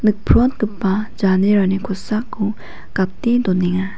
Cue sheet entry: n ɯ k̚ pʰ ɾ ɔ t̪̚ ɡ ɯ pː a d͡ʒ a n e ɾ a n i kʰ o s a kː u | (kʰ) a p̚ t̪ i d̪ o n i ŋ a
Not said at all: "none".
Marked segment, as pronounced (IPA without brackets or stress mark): k